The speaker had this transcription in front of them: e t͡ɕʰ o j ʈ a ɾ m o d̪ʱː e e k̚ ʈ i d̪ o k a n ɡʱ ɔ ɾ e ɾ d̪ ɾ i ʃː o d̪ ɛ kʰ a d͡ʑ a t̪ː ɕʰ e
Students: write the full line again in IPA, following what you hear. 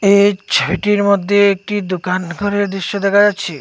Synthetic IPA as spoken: e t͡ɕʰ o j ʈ i ɾ m o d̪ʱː e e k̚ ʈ i d̪ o k a n ɡʱ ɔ ɾ e ɾ d̪ ɾ i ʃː o d̪ ɛ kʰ a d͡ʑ a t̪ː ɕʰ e